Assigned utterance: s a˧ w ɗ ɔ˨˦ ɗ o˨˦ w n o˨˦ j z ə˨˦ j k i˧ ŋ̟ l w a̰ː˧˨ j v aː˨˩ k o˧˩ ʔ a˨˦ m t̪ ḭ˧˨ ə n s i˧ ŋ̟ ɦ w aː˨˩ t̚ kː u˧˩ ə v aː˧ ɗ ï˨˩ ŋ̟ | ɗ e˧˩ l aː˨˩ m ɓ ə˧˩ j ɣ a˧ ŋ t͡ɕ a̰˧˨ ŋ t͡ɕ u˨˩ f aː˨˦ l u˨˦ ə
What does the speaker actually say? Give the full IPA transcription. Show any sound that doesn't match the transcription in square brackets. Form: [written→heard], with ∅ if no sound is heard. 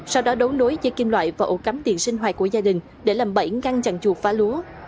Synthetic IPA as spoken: s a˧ w ɗ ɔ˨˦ ɗ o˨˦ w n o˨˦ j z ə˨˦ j k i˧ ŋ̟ l w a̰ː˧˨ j v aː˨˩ [k→ʔ] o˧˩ [ʔ→k] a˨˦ m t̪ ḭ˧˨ ə n s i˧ ŋ̟ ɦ w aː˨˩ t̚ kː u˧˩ ə [v→z] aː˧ ɗ ï˨˩ ŋ̟ | ɗ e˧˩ l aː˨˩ m ɓ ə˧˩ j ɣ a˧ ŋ t͡ɕ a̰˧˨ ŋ t͡ɕ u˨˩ f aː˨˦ l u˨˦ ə